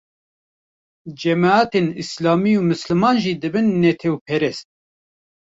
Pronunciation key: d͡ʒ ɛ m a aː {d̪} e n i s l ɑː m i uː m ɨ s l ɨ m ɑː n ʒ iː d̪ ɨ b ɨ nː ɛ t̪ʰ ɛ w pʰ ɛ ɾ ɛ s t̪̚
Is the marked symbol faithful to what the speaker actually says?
no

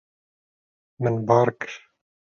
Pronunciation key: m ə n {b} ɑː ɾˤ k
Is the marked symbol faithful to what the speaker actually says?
yes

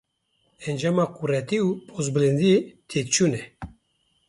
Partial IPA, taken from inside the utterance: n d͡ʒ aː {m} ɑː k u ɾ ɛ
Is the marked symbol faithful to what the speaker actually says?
yes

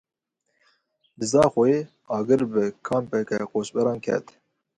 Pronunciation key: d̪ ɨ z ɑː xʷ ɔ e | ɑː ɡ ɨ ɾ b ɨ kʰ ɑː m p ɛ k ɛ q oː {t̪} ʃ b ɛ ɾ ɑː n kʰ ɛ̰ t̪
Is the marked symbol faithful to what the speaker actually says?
no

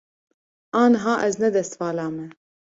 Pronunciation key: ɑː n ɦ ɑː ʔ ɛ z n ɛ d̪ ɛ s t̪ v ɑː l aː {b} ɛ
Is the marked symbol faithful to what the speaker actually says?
no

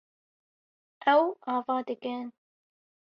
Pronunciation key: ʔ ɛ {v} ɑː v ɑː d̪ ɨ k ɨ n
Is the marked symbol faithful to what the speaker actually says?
no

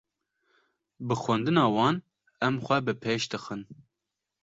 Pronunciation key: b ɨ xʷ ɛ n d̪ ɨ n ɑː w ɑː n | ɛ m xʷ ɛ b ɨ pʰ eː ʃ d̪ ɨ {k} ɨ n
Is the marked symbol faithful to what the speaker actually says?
no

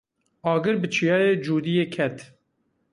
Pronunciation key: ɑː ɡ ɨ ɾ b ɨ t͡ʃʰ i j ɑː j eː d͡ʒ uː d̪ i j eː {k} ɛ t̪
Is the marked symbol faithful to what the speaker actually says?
no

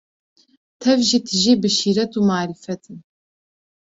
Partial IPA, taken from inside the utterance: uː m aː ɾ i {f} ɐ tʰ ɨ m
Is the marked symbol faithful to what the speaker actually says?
yes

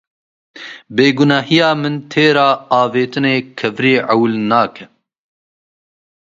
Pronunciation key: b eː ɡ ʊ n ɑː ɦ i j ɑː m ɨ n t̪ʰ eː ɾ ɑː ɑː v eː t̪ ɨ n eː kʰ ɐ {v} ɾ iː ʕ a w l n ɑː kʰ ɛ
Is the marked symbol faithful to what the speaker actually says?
yes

